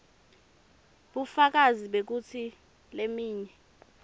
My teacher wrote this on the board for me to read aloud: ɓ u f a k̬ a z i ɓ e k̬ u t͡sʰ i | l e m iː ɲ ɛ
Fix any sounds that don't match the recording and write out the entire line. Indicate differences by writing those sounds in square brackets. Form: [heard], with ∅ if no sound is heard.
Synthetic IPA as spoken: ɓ u f a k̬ a z i ɓ e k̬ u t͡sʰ i | l e m iː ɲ ɛ